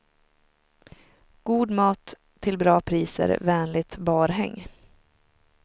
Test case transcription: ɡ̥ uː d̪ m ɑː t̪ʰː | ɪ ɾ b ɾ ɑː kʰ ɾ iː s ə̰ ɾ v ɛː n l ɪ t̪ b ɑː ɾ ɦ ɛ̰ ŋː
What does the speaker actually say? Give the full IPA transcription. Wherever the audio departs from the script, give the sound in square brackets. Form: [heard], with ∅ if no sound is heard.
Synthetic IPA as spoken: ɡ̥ uː d̪ m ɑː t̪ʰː | ɪ [l] b ɾ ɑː [pʰ] ɾ iː s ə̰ ɾ v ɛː n l ɪ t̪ b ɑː ɾ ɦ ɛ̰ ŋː